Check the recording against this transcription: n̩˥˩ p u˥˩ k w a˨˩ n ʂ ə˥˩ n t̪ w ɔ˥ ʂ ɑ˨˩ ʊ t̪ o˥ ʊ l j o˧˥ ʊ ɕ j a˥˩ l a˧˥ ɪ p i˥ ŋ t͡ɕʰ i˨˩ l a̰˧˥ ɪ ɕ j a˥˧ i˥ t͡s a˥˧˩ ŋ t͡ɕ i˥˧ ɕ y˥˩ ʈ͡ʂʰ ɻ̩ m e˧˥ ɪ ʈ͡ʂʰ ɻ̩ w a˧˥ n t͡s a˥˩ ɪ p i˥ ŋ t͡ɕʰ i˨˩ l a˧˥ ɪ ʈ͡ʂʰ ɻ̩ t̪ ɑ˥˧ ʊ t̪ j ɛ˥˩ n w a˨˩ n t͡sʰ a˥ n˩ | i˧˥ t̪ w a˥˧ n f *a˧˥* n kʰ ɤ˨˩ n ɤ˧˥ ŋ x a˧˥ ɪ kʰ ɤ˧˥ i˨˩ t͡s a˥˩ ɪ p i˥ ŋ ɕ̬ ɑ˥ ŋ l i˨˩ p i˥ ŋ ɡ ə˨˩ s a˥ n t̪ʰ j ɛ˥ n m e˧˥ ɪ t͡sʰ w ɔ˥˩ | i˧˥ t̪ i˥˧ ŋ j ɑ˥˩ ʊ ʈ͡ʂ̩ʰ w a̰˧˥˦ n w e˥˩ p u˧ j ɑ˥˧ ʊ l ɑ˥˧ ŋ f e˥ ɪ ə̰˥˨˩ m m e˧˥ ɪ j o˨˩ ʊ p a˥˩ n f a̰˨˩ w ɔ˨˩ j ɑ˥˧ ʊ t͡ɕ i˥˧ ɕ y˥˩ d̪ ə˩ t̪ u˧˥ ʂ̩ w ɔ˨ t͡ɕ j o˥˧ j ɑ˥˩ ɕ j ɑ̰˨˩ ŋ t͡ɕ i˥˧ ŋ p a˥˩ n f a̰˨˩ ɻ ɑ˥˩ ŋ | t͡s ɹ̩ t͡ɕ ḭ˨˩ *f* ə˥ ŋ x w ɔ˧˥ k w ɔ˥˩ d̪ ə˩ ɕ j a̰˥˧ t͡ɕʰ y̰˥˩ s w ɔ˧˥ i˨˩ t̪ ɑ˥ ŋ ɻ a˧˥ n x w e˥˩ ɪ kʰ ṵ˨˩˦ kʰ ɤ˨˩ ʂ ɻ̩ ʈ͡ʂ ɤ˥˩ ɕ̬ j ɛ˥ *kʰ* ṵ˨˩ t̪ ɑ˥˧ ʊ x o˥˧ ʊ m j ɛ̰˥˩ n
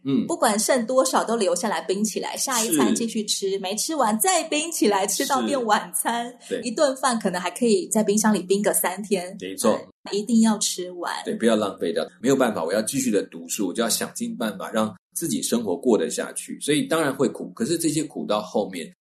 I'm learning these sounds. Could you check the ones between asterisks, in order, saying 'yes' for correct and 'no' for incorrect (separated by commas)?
no, no, yes